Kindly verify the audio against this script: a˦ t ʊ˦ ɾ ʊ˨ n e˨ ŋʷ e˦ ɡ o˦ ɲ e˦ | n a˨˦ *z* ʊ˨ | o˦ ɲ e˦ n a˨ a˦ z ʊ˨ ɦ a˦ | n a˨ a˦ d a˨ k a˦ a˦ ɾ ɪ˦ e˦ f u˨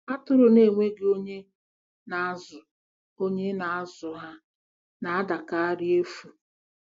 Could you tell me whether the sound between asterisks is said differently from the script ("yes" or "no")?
no